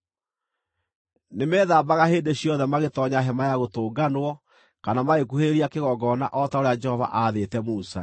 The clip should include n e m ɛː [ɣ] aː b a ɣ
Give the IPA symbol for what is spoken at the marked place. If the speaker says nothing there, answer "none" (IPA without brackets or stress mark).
ð